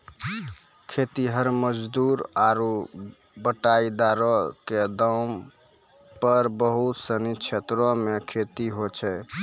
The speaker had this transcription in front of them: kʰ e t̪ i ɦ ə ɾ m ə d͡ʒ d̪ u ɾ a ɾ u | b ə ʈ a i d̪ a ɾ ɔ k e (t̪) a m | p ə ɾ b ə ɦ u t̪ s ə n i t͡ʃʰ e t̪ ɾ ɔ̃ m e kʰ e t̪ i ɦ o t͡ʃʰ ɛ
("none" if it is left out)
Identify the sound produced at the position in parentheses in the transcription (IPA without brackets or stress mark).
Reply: d̪